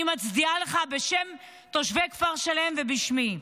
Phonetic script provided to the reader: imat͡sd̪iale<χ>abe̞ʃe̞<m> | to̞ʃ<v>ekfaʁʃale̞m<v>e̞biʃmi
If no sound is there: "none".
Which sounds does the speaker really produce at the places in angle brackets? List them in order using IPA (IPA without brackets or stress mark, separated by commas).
χ, m, v, v